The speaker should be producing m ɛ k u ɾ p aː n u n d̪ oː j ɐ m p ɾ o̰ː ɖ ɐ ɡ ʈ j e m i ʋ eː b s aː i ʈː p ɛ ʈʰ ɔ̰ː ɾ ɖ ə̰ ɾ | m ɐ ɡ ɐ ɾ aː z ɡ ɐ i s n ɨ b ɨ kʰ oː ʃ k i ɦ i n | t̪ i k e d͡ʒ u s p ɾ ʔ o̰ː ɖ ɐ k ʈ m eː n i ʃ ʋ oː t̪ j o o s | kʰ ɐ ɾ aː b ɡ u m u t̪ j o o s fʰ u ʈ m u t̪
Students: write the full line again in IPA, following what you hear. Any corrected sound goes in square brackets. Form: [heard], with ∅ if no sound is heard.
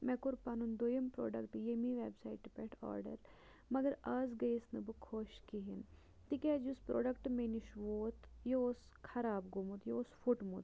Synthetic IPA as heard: m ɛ k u ɾ p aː n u n d̪ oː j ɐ m p ɾ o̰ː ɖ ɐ [k] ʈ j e m i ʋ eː b s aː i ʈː p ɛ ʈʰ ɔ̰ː ɾ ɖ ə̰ ɾ | m ɐ ɡ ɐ ɾ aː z ɡ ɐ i s n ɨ b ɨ kʰ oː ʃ k i ɦ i n | t̪ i k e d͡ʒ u s p ɾ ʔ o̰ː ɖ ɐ k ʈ m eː n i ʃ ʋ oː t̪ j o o s | kʰ ɐ ɾ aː b ɡ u m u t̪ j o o s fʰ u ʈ m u t̪